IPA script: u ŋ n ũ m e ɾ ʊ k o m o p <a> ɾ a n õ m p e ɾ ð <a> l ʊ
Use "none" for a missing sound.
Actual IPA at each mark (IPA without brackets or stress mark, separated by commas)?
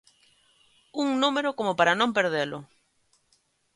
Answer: a, e